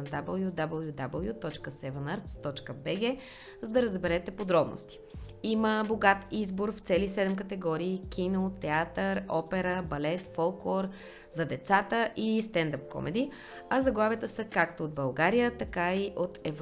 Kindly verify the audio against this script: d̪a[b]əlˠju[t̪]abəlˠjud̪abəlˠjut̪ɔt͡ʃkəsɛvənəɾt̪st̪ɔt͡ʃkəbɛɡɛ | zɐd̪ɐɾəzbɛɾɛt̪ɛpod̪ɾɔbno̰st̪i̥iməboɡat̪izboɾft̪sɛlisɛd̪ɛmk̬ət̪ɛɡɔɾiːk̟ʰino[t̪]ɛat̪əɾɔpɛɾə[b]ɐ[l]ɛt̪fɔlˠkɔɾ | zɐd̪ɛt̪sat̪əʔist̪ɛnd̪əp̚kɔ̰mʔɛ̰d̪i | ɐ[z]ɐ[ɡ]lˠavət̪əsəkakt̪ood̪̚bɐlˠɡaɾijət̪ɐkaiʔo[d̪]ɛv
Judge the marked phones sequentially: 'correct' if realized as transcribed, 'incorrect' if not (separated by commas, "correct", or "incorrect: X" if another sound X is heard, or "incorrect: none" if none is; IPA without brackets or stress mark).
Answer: correct, incorrect: d̪, correct, correct, correct, correct, correct, incorrect: t̪